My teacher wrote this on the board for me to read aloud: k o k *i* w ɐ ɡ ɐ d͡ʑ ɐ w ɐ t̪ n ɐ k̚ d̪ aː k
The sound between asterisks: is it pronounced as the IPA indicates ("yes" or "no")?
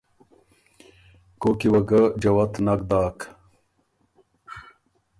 yes